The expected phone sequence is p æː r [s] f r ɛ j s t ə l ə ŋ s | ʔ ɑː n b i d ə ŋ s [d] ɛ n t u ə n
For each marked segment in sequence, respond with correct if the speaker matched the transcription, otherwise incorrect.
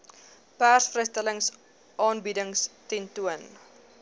correct, incorrect: t

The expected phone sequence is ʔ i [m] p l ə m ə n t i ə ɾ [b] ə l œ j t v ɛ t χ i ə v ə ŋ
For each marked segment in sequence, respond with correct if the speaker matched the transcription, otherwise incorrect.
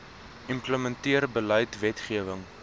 correct, correct

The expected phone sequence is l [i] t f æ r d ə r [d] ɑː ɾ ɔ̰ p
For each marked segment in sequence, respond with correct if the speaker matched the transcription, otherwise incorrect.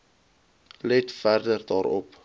incorrect: ɛ, correct

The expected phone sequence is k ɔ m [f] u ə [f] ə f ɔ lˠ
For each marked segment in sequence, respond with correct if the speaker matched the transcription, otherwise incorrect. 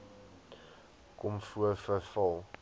correct, correct

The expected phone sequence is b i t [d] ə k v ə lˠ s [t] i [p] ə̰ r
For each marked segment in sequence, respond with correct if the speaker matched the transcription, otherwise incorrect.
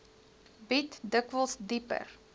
correct, incorrect: d, correct

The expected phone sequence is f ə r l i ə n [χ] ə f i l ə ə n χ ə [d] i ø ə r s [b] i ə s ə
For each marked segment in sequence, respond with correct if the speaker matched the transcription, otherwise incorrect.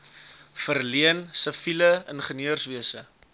incorrect: s, incorrect: n, incorrect: v

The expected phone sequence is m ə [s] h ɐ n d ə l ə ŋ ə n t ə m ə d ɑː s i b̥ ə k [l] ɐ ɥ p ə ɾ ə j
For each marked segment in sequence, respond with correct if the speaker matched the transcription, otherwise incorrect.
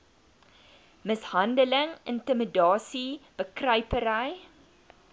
correct, incorrect: r

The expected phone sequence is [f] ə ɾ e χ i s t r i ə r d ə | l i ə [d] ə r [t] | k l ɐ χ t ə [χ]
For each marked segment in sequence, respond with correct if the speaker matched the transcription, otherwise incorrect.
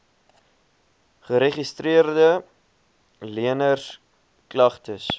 incorrect: χ, incorrect: n, incorrect: s, incorrect: s

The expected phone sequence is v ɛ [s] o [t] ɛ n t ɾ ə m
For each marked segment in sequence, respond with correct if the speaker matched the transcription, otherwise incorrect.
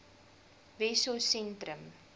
correct, incorrect: s

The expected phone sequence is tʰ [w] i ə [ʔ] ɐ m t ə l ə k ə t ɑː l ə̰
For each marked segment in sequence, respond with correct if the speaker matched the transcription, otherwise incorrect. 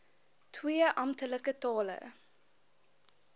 correct, correct

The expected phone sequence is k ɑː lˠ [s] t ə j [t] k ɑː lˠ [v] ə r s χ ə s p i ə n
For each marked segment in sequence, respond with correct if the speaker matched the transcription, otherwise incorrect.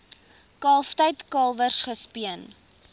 incorrect: f, correct, correct

